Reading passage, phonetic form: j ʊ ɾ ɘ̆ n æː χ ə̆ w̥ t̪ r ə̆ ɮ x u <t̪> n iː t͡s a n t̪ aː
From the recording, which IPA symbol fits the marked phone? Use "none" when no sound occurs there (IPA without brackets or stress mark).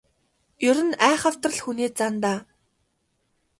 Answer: none